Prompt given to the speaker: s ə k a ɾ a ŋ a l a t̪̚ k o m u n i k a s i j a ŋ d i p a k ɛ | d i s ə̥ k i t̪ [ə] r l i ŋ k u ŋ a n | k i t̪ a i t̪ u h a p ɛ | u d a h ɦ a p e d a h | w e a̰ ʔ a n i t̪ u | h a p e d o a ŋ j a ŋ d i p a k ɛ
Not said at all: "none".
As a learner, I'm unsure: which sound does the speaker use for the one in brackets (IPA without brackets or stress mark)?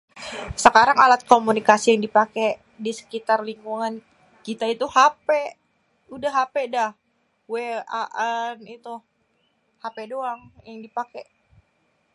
a